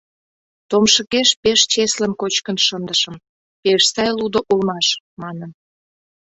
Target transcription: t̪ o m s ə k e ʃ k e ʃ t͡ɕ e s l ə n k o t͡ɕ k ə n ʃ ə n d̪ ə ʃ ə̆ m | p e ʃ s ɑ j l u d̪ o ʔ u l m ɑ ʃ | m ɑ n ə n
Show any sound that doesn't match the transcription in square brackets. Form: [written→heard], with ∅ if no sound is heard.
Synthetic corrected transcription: t̪ o m [s→ʃ] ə k e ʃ [k→p] e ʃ t͡ɕ e s l ə n k o t͡ɕ k ə n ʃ ə n d̪ ə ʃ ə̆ m | p e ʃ s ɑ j l u d̪ o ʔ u l m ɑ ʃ | m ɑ n ə n

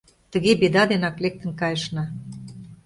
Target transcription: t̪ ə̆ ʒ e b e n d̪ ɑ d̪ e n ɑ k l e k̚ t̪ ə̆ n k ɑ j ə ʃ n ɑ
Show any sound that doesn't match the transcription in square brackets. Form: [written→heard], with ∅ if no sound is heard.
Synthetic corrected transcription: t̪ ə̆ [ʒ→ɣ] e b e [n→∅] d̪ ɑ d̪ e n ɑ k l e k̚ t̪ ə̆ n k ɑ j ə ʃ n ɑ

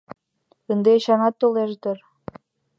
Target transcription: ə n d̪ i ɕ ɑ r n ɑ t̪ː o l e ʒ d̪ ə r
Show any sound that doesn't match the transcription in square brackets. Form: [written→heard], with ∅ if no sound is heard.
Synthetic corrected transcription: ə n d̪ [i→e] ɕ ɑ [r→∅] n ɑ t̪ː o l e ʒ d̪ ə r

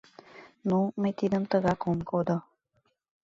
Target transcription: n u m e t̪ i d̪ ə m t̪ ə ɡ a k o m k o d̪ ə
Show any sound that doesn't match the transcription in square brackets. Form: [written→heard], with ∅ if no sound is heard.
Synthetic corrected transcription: n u m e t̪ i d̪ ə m t̪ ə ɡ a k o m k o d̪ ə

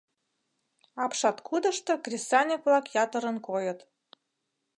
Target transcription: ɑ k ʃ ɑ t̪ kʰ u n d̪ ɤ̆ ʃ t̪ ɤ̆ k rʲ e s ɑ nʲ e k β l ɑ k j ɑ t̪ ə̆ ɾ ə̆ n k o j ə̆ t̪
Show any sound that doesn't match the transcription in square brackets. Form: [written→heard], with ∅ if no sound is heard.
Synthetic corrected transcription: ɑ [k→p] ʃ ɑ t̪ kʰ u [n→∅] d̪ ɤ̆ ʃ t̪ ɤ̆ k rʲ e s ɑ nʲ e k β l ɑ k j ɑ t̪ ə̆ ɾ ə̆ n k o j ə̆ t̪

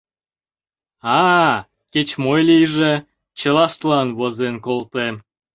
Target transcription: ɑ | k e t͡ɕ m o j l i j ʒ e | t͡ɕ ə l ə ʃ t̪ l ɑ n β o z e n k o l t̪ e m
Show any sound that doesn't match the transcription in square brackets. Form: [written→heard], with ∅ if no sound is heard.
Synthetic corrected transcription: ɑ | k e t͡ɕ m o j l i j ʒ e | t͡ɕ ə l [ə→ɑ] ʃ t̪ l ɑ n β o z e n k o l t̪ e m

